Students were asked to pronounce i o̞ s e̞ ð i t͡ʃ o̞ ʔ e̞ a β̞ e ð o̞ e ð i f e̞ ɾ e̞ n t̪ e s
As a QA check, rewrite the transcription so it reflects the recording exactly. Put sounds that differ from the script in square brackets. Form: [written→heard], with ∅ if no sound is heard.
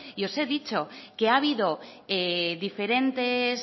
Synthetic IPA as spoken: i o̞ s e̞ ð i t͡ʃ o̞ [ʔ→k] e̞ a β̞ [e→i] ð o̞ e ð i f e̞ ɾ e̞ n t̪ e s